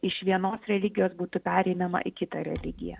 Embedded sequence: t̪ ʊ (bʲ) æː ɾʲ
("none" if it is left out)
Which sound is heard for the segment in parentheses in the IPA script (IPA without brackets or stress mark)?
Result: pʲ